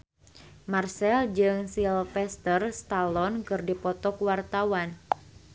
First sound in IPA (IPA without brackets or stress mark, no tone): m